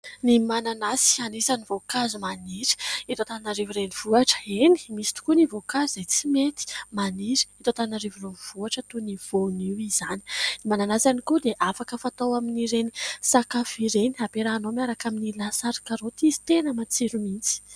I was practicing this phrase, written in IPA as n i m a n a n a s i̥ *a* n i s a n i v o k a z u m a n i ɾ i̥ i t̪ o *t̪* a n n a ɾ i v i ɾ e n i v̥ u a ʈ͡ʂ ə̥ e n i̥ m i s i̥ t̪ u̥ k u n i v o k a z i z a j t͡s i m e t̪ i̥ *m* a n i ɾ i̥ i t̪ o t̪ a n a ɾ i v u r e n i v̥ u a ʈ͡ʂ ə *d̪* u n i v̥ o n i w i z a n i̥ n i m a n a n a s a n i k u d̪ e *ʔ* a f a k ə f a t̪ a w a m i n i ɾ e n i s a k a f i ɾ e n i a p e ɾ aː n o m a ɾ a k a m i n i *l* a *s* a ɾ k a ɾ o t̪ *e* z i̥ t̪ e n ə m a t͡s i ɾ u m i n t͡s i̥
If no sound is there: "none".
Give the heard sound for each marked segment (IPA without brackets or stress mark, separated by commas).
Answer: a, t̪, m, t̪, ʔ, l, s, i